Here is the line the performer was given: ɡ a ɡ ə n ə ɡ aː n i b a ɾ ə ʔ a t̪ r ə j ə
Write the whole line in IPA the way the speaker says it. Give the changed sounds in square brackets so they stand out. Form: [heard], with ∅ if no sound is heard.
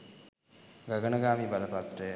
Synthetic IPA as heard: ɡ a ɡ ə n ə ɡ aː [m] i b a [l] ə [p] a t̪ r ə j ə